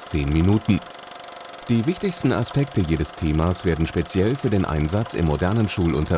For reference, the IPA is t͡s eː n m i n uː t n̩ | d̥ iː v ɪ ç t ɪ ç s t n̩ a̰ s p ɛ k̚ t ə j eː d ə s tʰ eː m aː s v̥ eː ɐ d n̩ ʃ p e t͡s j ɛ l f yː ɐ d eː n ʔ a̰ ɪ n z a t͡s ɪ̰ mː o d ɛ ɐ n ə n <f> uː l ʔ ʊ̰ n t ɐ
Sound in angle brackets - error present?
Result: yes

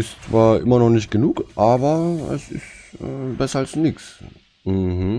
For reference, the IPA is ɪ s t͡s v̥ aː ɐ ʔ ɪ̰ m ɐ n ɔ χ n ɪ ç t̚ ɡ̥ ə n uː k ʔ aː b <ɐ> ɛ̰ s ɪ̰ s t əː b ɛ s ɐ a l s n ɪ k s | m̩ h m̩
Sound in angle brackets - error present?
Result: no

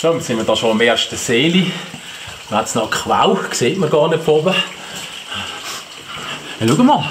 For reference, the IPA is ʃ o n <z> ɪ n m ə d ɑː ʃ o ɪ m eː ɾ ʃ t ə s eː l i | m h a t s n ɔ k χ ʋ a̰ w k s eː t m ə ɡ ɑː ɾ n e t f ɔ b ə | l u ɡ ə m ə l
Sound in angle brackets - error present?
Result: yes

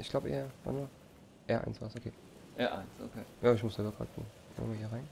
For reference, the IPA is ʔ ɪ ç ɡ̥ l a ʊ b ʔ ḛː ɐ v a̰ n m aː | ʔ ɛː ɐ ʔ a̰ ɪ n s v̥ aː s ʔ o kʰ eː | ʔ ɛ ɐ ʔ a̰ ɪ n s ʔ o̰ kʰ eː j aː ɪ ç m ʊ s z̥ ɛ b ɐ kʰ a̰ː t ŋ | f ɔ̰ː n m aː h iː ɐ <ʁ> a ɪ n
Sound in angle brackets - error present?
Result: no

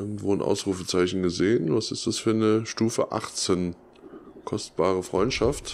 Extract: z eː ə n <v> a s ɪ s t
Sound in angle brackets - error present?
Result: no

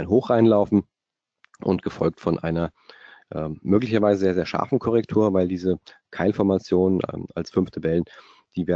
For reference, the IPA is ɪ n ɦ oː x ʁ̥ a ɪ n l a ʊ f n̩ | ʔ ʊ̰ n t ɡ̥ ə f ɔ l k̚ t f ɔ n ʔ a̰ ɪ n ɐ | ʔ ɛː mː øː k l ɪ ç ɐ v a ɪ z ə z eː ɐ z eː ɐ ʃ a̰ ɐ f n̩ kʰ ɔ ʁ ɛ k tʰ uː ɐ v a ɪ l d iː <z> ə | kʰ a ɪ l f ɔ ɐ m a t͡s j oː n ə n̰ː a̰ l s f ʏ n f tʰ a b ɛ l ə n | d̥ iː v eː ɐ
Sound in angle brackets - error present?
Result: no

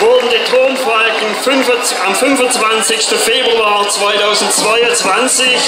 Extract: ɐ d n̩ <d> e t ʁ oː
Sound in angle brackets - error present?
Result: no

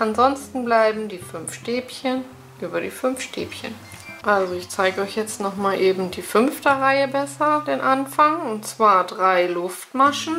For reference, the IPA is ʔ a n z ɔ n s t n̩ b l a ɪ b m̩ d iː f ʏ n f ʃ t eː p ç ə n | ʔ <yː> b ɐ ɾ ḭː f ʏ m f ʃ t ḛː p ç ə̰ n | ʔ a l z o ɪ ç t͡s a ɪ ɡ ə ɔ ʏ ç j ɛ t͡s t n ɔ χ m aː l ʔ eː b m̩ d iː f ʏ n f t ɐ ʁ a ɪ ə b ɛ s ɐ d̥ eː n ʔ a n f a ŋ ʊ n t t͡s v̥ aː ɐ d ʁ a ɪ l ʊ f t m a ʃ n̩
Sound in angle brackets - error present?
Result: no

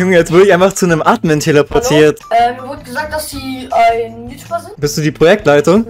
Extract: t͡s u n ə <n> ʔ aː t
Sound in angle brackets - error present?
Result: yes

